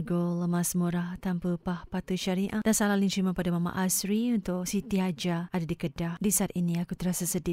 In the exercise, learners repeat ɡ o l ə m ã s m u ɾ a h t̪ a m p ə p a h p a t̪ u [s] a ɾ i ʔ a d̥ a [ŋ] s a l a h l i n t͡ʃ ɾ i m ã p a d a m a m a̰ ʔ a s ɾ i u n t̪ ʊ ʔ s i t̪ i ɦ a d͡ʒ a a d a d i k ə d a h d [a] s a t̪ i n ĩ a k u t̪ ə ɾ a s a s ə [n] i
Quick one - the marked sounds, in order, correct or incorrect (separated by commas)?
incorrect, incorrect, incorrect, incorrect